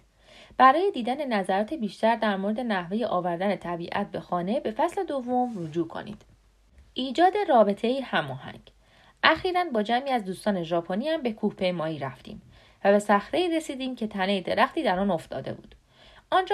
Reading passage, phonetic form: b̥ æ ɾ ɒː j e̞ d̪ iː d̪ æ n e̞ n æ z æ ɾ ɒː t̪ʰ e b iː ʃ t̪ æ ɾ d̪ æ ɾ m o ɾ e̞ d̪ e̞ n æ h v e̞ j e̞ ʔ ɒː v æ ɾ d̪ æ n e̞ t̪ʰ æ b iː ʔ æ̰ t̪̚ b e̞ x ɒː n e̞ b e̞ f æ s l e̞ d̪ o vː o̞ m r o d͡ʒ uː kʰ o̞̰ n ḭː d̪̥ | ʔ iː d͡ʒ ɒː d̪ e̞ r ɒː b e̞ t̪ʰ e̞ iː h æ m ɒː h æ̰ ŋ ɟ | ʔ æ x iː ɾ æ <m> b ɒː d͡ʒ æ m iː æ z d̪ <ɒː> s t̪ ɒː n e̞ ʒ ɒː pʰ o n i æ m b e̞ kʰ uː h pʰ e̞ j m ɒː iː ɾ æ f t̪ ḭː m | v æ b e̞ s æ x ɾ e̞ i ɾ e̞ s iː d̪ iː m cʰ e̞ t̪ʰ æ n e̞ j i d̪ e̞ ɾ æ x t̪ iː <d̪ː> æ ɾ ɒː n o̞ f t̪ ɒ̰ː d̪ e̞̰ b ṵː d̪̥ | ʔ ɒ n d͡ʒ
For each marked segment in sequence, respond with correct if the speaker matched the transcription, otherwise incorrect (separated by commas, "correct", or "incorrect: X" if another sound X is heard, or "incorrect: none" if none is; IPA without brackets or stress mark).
incorrect: n, incorrect: uː, incorrect: d̪